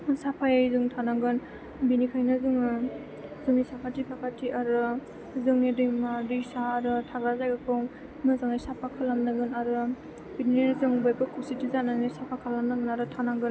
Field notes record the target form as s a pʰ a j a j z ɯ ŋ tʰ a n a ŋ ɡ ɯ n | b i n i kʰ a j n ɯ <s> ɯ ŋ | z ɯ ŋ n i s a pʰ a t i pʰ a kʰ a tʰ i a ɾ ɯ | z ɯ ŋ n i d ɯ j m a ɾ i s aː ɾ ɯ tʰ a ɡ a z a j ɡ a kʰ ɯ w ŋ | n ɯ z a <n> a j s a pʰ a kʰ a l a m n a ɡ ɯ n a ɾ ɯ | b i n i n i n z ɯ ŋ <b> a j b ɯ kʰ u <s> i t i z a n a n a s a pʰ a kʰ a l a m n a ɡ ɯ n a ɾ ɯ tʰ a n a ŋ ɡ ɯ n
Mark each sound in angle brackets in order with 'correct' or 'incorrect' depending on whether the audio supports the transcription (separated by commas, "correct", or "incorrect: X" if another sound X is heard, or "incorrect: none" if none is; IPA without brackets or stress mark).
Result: incorrect: z, incorrect: ŋ, correct, correct